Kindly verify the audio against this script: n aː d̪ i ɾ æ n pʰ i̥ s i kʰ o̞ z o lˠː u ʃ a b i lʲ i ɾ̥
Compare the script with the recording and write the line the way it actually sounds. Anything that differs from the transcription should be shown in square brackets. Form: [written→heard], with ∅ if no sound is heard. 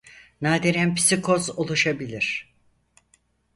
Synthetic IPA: n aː d̪ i ɾ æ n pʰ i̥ s i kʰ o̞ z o [lˠː→lˠ] u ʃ a b i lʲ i ɾ̥